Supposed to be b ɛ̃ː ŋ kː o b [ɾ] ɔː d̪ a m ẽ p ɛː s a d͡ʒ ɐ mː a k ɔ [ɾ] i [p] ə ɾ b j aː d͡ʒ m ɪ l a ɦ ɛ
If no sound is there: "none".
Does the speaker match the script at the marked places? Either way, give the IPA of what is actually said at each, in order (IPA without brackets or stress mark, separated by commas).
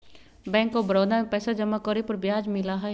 ɾ, ɾ, p